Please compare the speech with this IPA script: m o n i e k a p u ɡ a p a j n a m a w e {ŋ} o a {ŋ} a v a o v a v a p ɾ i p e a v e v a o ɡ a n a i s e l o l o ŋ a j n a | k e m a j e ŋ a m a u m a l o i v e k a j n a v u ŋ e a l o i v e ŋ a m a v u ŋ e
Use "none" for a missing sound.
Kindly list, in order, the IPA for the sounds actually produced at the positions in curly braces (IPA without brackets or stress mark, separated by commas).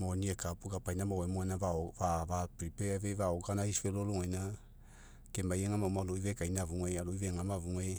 m, n